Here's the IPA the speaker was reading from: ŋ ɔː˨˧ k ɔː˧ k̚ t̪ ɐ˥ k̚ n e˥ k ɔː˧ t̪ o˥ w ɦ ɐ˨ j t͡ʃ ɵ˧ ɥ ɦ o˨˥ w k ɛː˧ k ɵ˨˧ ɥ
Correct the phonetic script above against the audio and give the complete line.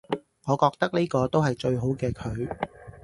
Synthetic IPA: ŋ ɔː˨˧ k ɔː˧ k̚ t̪ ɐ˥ k̚ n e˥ k ɔː˧ t̪ o˥ w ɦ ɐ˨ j t͡ʃ ɵ˧ ɥ ɦ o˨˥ w k ɛː˧ kʰ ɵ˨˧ ɥ